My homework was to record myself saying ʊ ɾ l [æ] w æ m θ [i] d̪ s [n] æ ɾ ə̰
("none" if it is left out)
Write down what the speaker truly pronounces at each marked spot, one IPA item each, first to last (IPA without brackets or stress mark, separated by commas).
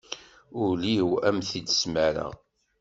i, i, m